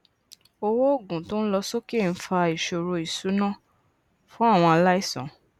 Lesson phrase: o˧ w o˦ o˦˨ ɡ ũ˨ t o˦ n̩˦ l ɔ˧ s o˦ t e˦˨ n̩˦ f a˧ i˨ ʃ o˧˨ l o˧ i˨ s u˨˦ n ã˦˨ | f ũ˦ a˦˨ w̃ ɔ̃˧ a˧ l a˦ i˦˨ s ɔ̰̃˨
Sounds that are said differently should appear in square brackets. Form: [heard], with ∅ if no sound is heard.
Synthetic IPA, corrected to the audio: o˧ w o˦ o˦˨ ɡ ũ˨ t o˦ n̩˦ l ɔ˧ s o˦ [k] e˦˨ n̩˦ f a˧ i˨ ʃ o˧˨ [ɾ] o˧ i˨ s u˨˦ n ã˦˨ | f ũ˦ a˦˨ w̃ ɔ̃˧ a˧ l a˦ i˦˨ s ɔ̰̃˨